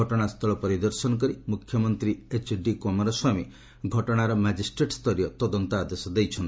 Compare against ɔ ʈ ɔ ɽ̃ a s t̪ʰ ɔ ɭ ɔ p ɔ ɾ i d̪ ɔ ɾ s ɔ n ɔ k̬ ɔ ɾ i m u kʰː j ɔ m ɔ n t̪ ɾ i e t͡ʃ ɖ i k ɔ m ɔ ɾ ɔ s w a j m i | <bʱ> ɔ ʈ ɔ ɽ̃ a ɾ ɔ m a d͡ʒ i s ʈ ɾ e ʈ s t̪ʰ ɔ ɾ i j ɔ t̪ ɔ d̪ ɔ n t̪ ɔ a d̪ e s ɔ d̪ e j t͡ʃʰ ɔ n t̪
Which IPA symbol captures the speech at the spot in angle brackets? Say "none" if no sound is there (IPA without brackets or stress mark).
ɡʱ